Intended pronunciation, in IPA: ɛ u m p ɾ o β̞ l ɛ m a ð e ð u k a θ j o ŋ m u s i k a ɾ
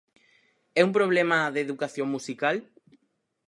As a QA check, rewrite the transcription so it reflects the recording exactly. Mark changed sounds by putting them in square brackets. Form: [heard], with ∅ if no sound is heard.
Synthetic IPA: ɛ u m p ɾ o β̞ l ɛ m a ð e ð u k a θ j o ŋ m u s i k a [l]